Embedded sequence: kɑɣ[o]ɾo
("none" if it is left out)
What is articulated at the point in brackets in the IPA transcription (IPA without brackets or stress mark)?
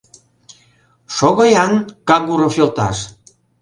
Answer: u